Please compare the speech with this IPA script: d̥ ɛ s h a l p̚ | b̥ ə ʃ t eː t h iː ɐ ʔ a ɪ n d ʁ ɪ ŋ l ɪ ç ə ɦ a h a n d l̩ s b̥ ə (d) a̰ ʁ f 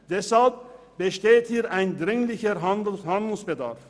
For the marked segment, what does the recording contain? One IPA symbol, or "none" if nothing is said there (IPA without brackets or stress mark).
d